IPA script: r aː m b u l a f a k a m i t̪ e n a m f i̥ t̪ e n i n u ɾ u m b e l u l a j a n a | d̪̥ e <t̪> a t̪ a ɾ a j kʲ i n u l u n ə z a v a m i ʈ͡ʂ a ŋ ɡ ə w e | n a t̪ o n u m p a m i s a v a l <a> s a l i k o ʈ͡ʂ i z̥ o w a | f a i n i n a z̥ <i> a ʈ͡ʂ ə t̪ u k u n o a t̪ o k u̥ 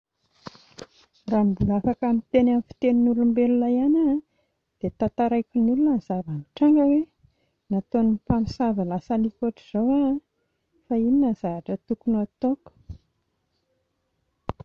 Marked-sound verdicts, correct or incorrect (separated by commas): correct, correct, incorrect